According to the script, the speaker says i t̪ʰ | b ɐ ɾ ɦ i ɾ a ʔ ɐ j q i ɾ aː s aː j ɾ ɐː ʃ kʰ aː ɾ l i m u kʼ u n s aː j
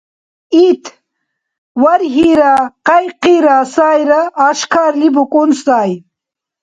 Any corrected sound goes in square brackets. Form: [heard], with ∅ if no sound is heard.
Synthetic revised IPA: i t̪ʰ | [w] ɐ ɾ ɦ i ɾ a [q] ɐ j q i ɾ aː s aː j ɾ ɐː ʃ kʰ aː ɾ l i [b] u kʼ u n s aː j